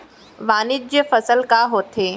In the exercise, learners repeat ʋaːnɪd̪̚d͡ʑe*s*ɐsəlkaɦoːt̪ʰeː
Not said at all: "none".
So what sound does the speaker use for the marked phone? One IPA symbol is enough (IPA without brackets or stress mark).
f